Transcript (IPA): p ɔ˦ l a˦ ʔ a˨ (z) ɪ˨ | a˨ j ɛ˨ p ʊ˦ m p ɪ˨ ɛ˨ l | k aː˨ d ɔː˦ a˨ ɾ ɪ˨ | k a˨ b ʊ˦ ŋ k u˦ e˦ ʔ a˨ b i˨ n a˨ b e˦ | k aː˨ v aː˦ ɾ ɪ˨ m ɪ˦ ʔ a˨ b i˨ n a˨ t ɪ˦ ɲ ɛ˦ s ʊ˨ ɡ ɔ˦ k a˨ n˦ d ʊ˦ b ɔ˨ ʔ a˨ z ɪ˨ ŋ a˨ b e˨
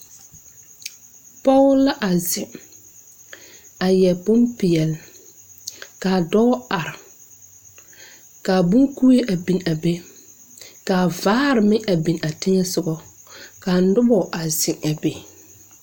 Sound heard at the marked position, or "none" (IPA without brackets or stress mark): z